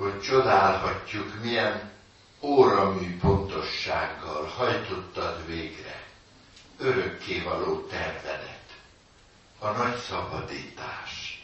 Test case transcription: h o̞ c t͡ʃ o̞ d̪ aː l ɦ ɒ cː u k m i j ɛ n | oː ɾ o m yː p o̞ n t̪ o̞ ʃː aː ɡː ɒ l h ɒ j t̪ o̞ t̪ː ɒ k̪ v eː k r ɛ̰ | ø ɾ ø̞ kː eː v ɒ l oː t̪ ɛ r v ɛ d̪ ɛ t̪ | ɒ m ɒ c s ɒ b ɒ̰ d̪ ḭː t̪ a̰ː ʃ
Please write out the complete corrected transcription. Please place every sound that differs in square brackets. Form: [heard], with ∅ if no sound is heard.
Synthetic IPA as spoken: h o̞ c t͡ʃ o̞ d̪ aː l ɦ ɒ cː u k m i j ɛ n | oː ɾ [ɒ] m yː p o̞ n t̪ o̞ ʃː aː ɡː ɒ l h ɒ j t̪ o̞ t̪ː ɒ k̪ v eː [ɡ] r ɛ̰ | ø ɾ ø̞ kː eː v ɒ l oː t̪ ɛ r v ɛ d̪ ɛ t̪ | ɒ [n] ɒ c s ɒ b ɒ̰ d̪ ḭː t̪ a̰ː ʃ